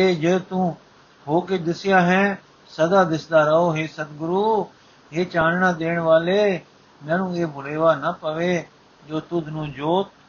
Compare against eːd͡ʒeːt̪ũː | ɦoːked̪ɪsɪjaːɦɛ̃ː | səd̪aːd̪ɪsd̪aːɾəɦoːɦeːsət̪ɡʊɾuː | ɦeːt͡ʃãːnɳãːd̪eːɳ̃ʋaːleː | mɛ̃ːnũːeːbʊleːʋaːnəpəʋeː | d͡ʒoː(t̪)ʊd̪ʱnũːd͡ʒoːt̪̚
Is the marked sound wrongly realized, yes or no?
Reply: no